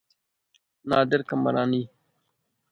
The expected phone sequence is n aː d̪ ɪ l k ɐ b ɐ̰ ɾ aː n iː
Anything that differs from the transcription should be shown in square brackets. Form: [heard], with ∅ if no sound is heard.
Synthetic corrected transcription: n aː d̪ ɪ [ɾ] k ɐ [m] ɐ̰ ɾ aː n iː